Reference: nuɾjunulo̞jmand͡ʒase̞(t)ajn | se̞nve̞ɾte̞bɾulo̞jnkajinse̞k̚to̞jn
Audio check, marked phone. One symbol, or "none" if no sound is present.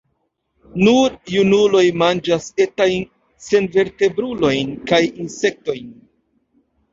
t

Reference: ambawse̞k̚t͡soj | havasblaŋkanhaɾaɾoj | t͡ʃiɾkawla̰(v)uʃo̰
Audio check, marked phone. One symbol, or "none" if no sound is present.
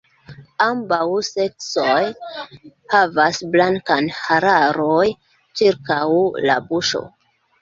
b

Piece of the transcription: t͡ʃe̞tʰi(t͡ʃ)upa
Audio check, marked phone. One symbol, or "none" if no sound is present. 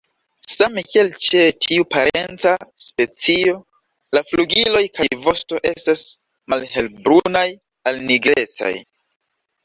none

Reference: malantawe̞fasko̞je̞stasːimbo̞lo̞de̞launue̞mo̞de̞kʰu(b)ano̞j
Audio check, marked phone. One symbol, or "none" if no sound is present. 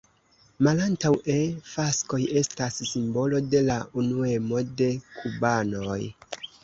b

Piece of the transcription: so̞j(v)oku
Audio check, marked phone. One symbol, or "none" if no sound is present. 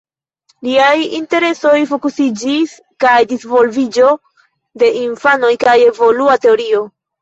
f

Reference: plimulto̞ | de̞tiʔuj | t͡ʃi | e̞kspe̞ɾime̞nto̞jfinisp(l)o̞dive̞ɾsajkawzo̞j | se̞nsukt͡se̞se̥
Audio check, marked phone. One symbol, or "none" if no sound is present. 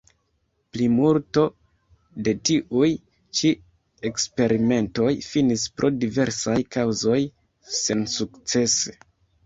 ɾ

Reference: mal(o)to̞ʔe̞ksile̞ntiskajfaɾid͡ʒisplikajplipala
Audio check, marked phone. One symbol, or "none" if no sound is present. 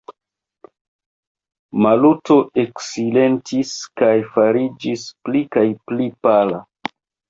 u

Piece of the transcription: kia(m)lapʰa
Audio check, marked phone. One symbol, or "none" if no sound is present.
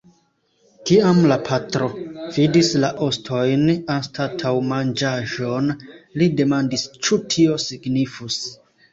m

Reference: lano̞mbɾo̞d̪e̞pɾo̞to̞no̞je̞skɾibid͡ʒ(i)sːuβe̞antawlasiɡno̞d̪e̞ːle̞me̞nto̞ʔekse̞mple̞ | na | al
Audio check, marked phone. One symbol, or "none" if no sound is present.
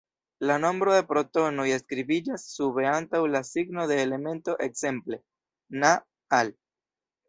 a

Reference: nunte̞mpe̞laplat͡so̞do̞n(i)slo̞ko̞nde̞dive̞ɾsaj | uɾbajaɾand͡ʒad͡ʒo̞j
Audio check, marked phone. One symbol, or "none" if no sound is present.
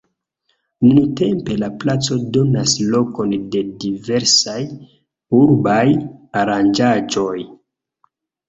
a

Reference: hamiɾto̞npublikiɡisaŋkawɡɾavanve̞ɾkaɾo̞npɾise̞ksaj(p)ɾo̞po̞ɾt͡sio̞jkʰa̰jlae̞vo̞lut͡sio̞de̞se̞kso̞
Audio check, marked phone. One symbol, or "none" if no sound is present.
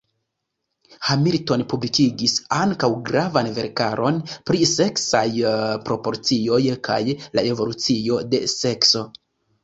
p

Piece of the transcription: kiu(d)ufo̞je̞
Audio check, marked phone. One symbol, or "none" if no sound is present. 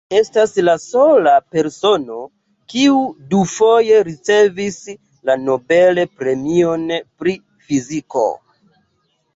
d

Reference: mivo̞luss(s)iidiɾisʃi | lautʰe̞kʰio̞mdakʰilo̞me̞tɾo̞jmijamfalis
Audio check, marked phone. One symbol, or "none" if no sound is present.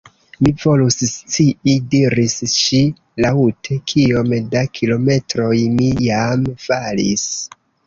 t͡s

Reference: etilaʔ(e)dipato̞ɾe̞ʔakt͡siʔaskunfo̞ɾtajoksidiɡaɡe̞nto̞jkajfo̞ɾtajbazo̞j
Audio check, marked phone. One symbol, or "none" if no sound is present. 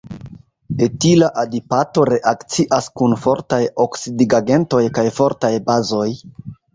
a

